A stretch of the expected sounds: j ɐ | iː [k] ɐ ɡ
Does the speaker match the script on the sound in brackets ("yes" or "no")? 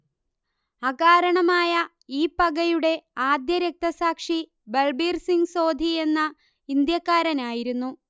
no